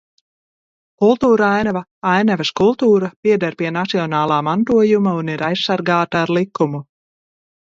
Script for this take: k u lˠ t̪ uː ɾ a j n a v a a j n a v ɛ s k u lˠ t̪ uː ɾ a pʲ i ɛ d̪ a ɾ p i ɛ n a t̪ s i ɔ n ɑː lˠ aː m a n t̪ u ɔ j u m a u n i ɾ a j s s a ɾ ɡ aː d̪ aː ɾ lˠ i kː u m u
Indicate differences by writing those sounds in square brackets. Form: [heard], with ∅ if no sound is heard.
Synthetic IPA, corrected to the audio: k u lˠ t̪ uː ɾ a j n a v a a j n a v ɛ s k u lˠ t̪ uː ɾ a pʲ i ɛ d̪ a ɾ p i ɛ n a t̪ s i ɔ n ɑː lˠ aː m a n t̪ u ɔ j u m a u n i ɾ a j s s a ɾ ɡ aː [t̪] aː ɾ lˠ i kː u m u

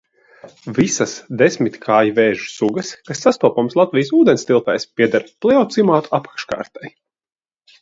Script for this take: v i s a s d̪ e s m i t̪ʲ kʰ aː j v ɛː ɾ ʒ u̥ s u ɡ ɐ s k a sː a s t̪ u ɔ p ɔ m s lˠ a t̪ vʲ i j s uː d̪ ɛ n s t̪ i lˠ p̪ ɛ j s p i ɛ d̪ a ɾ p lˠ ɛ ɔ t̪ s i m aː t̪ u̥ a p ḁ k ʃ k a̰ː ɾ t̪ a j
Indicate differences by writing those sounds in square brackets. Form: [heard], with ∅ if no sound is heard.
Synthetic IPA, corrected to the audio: v i s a s d̪ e s m i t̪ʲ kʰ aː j v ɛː [∅] ʒ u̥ s u ɡ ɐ s k a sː a s t̪ u ɔ p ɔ m s lˠ a t̪ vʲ i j s uː d̪ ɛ n s t̪ i lˠ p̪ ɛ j s p i ɛ d̪ a ɾ p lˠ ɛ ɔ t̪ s i m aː t̪ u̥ a p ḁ k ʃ k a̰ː ɾ t̪ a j

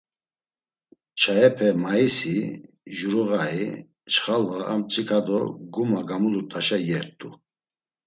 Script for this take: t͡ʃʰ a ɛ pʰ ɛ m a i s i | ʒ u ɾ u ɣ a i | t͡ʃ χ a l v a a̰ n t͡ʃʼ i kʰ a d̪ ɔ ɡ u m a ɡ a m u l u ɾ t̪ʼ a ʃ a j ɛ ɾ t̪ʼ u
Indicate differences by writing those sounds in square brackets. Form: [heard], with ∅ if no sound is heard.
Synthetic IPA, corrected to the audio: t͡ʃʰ a ɛ pʰ ɛ m a i s i | ʒ u ɾ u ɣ a i | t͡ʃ χ a l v a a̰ [m] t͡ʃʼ i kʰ a d̪ ɔ ɡ u m a ɡ a m u l u ɾ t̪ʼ a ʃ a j ɛ ɾ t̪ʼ u

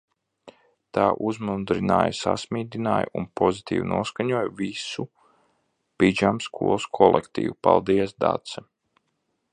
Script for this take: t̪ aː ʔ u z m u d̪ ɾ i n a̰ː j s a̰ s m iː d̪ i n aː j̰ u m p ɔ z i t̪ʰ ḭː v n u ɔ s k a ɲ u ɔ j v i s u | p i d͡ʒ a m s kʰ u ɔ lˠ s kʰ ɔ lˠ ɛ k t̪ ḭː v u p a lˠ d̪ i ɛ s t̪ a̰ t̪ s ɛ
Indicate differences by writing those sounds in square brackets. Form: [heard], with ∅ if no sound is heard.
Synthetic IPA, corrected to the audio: t̪ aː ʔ u z m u d̪ ɾ i n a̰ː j s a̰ s m iː d̪ i n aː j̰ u [n] p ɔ z i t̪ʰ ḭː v n u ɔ s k a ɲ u ɔ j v i s u | p i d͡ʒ a m s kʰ u ɔ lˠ s kʰ ɔ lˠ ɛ k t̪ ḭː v u p a lˠ d̪ i ɛ s [d̪] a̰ t̪ s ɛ

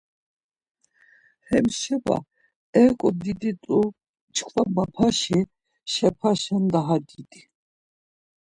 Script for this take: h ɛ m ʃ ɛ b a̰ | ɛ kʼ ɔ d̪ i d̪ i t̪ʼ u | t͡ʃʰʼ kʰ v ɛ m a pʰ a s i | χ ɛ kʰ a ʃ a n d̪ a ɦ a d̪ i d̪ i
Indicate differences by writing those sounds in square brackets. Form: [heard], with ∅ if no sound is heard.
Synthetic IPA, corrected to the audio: h ɛ m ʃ ɛ b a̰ | ɛ kʼ ɔ d̪ i d̪ i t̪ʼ u | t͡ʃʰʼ kʰ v [a] m a pʰ a [ʃ] i | [ʃ] ɛ [pʰ] a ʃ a n d̪ a ɦ a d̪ i d̪ i

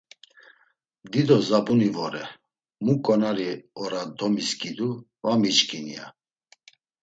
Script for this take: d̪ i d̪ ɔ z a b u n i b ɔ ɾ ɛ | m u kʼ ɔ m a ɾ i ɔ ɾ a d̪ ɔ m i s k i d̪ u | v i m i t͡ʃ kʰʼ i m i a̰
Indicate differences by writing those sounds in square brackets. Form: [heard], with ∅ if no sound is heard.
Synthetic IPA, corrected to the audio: d̪ i d̪ ɔ z a b u n i [v] ɔ ɾ ɛ | m u kʼ ɔ [n] a ɾ i ɔ ɾ a d̪ ɔ m i s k i d̪ u | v [a] m i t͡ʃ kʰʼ i [n] i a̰

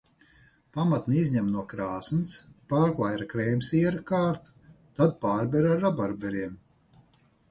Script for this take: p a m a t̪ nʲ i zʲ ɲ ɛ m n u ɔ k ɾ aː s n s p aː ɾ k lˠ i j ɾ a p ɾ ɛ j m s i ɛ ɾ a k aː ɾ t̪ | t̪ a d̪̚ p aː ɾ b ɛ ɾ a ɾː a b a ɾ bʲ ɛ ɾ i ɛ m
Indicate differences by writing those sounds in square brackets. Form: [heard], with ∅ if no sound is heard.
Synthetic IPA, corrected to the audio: p a m a t̪ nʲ i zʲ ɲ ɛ m n u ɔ k ɾ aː s n s p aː ɾ k lˠ [a] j ɾ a [k] ɾ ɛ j m s i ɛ ɾ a k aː ɾ t̪ | t̪ a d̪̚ p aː ɾ b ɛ ɾ a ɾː a b a ɾ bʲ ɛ ɾ i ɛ m

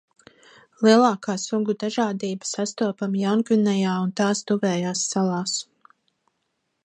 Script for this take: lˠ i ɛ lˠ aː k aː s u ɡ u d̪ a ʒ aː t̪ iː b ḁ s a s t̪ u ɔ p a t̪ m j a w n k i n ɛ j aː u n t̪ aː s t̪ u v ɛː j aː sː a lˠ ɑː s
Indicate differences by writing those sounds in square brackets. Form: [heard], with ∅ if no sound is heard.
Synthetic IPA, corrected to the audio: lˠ i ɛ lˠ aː k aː s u ɡ u d̪ a ʒ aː [d̪] iː b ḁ s a s t̪ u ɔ p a [∅] m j a w n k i n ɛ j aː u n t̪ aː s t̪ u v ɛː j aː sː a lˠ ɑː s

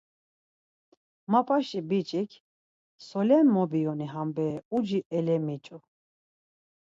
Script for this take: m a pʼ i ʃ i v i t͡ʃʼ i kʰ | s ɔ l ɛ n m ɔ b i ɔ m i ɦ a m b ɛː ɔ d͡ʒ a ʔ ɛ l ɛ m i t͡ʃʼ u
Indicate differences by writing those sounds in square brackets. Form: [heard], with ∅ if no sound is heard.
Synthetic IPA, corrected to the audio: m a pʼ [a] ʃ i [b] i t͡ʃʼ i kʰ | s ɔ l ɛ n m ɔ b i ɔ [n] i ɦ a m b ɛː [u] d͡ʒ [i] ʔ ɛ l ɛ m i t͡ʃʼ u

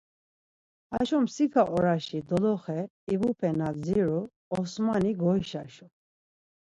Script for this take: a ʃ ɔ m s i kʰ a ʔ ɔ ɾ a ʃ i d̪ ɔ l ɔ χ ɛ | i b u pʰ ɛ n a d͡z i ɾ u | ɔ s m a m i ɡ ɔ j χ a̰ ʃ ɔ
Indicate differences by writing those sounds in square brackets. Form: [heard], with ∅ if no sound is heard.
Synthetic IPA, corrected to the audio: a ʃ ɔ m s i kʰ a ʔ ɔ ɾ a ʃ i d̪ ɔ l ɔ χ ɛ | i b u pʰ ɛ n a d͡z i ɾ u | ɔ s m a [n] i ɡ ɔ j [ʃ] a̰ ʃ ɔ

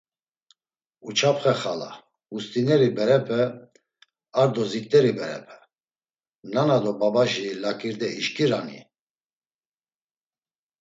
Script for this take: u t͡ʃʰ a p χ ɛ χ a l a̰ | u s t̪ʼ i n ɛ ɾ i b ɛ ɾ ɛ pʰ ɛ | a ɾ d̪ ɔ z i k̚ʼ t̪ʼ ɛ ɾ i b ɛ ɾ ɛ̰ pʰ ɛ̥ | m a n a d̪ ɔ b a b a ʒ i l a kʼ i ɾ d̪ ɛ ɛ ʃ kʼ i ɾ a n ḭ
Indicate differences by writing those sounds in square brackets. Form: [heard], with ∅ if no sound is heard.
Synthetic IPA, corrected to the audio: u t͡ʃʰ a p χ ɛ χ a l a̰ | u s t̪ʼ i n ɛ ɾ i b ɛ ɾ ɛ pʰ ɛ | a ɾ d̪ ɔ z i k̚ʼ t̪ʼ ɛ ɾ i b ɛ ɾ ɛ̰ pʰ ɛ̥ | [n] a n a d̪ ɔ b a b a ʒ i l a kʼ i ɾ d̪ ɛ [i] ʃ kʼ i ɾ a n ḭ

